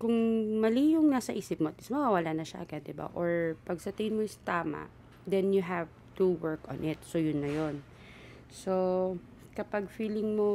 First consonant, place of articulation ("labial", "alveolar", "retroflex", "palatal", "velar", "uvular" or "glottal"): velar